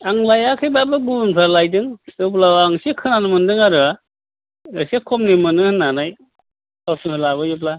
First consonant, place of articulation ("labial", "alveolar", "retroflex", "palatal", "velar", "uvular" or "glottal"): velar